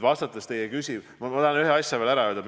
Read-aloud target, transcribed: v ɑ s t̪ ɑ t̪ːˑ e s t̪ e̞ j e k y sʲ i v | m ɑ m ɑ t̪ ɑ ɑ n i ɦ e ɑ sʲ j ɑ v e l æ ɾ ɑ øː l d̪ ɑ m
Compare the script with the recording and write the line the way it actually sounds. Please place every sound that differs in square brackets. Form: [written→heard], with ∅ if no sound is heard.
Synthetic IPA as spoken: v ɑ s t̪ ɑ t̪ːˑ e s t̪ e̞ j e k y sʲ i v | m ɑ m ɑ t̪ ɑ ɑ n [i→y] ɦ e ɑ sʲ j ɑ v e l æ ɾ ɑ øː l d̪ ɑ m